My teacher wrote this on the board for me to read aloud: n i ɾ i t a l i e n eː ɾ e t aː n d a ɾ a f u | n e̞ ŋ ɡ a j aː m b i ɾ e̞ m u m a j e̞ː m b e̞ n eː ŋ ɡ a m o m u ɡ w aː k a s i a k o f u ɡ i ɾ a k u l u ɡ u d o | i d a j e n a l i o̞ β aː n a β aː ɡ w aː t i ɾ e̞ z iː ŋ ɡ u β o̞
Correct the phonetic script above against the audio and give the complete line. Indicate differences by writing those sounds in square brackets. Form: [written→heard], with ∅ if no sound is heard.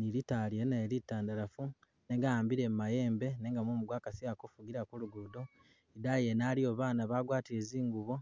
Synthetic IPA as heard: n i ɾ i t a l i e n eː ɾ [e→i] t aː n d a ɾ a f u | n e̞ ŋ ɡ a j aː m b i ɾ e̞ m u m a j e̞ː m b e̞ n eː ŋ ɡ a m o m u ɡ w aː k a s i a k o f u ɡ i ɾ a k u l u ɡ u d o | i d a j e n a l i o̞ β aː n a β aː ɡ w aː t i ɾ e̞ z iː ŋ ɡ u β o̞